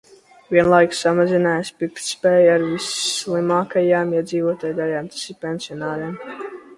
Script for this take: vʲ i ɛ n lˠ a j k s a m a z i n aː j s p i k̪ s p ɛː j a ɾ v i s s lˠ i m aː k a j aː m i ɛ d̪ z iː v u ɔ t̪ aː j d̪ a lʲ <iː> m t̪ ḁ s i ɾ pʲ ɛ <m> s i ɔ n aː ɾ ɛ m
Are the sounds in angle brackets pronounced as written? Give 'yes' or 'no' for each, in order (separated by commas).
no, no